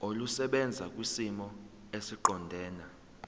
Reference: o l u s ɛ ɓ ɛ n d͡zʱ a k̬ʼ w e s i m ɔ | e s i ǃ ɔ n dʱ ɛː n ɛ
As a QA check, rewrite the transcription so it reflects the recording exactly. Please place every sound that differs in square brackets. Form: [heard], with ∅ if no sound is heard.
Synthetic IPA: o l u s ɛ ɓ ɛ n d͡zʱ a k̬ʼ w [i] s i m ɔ | e s i ǃ ɔ n dʱ ɛː n [a]